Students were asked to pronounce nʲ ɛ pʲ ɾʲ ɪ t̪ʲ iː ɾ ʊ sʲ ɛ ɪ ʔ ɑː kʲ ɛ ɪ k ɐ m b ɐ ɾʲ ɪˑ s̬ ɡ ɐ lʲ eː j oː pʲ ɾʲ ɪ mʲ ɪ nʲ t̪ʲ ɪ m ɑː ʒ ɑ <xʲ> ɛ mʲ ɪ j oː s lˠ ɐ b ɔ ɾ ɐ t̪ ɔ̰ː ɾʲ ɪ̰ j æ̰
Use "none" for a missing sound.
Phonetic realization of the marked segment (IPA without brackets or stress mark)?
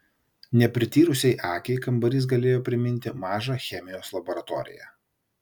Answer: xʲ